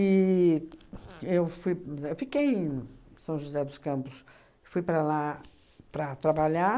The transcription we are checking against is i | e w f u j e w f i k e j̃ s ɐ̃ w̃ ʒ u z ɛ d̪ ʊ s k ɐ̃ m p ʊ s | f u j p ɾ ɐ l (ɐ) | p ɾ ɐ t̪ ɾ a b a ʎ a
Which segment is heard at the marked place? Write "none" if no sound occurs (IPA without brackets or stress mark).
a